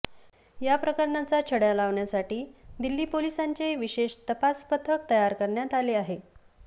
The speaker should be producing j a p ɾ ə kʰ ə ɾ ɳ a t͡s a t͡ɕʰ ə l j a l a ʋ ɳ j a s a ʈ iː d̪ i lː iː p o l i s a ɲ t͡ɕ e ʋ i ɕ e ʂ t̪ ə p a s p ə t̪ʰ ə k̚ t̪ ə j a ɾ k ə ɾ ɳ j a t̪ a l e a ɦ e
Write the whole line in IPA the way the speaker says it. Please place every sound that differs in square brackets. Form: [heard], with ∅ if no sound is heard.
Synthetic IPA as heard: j a p ɾ ə [k] ə ɾ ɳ a t͡s a t͡ɕʰ ə [ɽ] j a l a ʋ ɳ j a s a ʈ iː d̪ i lː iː p o l i s a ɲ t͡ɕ e ʋ i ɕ e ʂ t̪ ə p a s p ə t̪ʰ ə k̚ t̪ ə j a ɾ k ə ɾ ɳ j a t̪ a l e a ɦ e